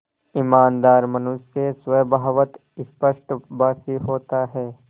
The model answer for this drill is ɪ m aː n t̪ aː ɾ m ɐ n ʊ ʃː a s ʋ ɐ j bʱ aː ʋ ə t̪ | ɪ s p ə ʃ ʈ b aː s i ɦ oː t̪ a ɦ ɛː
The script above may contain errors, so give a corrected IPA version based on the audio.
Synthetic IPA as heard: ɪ m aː n d̪ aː ɾ m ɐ n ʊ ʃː e s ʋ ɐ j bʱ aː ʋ ə t̪ | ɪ s p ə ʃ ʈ b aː s i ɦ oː t̪ a ɦ ɛː